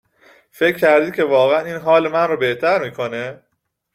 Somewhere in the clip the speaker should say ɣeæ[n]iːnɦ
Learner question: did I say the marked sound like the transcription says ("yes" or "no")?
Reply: yes